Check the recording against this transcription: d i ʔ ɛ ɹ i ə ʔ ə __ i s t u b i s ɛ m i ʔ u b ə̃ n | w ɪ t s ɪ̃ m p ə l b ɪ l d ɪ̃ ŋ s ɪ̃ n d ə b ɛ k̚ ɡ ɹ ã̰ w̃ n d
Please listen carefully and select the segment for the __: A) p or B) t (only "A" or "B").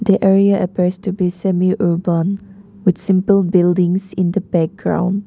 A